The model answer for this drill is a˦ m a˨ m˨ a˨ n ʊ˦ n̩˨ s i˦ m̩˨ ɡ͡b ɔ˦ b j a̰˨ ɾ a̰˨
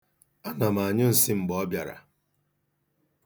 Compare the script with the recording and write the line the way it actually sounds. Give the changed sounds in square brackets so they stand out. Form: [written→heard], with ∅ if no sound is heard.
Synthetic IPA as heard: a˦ [m→n] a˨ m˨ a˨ [n→ɲ] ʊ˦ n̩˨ s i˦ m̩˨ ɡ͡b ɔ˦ b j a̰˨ ɾ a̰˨